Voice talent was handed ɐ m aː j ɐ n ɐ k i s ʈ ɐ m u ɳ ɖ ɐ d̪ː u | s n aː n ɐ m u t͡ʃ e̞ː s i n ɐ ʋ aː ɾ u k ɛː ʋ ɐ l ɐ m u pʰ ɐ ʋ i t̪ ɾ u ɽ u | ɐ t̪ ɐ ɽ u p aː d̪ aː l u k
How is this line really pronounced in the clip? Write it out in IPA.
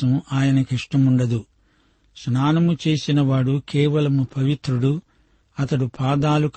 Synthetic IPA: ɐ m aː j ɐ n ɐ k i ʂ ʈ ɐ m u ɳ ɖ ɐ d̪ u | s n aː n ɐ m u t͡ʃ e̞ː s i n ɐ ʋ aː ɽ u k ɛː ʋ ɐ l ɐ m u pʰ ɐ ʋ i t̪ ɾ u ɽ u | ɐ t̪ ɐ ɽ u p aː d̪ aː l u k